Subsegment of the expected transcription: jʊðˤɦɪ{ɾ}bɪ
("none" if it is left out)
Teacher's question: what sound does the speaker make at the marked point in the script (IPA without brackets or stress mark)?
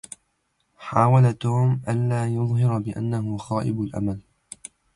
ɾ